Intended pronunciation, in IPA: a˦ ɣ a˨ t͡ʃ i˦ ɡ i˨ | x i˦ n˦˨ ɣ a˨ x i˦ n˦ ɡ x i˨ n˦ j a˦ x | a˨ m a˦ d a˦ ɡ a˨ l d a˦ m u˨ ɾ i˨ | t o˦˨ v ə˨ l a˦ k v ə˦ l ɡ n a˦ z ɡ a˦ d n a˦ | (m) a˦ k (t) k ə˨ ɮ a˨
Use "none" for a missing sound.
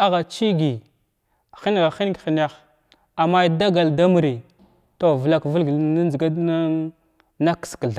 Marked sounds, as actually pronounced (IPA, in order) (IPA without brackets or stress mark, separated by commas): n, s